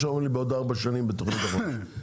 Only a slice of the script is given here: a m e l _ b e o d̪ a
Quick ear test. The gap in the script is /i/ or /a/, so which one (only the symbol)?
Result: i